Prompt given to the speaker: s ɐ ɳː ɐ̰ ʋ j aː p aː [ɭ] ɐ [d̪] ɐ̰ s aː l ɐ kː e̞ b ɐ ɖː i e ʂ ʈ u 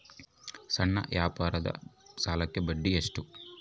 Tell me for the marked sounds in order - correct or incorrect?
incorrect, correct

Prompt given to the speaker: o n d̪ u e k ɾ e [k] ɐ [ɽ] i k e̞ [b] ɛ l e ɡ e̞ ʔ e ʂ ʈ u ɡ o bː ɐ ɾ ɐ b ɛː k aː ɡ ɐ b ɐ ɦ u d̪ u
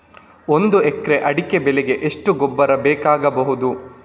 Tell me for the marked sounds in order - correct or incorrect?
incorrect, correct, correct

